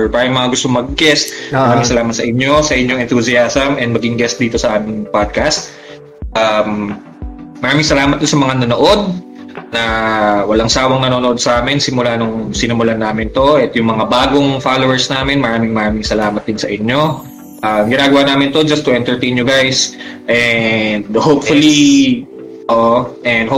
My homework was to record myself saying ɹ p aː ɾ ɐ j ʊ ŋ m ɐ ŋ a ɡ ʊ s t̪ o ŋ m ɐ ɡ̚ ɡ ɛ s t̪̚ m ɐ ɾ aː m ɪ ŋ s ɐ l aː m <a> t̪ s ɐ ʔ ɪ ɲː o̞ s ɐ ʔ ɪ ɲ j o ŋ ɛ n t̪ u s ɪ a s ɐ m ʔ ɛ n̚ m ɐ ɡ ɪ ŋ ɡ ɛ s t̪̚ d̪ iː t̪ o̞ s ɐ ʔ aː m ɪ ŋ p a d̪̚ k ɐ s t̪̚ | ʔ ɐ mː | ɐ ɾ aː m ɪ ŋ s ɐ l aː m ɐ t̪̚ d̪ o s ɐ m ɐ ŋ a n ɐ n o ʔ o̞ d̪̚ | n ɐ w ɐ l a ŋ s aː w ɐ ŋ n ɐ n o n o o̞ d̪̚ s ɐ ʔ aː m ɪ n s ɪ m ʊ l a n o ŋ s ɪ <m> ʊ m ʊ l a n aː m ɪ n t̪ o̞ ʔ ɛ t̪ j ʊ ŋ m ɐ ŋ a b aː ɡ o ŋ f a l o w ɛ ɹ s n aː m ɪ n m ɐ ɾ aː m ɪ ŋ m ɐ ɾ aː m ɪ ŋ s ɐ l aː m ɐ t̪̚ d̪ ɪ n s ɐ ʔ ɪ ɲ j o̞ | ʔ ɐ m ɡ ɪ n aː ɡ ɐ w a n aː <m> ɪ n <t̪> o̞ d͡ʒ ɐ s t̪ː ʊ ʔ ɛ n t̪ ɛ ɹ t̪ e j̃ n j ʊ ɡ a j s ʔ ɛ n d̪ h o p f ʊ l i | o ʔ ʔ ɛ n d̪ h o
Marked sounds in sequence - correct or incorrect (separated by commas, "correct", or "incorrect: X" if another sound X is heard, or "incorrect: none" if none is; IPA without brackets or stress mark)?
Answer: incorrect: ɐ, incorrect: n, correct, correct